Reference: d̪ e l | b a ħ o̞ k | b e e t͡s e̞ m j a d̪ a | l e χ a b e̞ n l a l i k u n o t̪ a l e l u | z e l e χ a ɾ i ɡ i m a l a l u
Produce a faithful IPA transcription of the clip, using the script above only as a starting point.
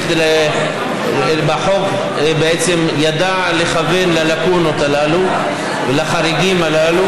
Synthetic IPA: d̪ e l | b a ħ o̞ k | b e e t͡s e̞ m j a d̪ a | l e χ a v e̞ n l a l a k u n o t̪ a l a l u | v e l a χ a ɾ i ɡ i m a l a l u